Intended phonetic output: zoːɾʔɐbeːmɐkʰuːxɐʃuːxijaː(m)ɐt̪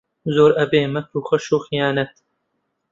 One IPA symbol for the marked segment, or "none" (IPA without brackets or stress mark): n